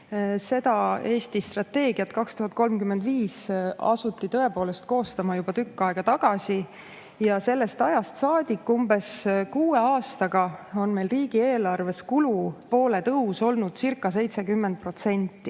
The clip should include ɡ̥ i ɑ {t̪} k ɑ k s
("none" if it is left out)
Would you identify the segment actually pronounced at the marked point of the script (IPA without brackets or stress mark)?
t̪